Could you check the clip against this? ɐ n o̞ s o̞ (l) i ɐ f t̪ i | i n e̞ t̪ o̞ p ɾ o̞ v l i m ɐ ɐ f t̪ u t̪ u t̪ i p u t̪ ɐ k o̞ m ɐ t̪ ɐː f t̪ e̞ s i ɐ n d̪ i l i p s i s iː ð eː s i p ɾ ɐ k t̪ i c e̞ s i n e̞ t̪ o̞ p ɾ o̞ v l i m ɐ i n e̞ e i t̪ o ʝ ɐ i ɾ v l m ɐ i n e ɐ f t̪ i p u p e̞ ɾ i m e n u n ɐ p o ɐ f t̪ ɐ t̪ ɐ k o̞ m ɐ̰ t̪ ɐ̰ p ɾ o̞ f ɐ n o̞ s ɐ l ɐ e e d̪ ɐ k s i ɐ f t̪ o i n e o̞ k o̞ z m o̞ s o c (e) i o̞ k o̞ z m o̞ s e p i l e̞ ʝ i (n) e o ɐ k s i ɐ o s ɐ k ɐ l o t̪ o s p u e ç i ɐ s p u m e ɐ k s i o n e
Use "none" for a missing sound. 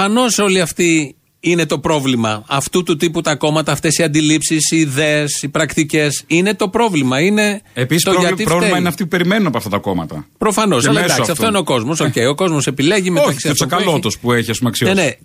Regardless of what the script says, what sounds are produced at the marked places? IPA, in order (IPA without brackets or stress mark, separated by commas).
l, e, m